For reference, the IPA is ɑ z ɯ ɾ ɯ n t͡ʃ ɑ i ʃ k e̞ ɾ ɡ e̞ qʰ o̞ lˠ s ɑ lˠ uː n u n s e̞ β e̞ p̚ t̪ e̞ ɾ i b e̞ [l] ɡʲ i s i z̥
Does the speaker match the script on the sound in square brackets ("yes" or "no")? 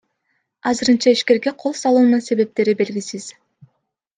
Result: yes